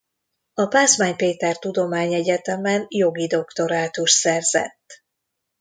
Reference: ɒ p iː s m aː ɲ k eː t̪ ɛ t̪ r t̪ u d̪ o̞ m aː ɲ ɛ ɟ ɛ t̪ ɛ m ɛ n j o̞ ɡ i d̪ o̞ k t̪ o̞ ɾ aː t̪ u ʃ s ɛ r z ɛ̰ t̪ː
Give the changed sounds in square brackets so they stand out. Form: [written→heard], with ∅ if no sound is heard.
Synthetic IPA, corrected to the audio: ɒ p [iː→aː] s m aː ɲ [k→p] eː t̪ ɛ [t̪→∅] r t̪ u d̪ o̞ m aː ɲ ɛ ɟ ɛ t̪ ɛ m ɛ n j o̞ ɡ i d̪ o̞ k t̪ o̞ ɾ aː t̪ u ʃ s ɛ r z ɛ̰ t̪ː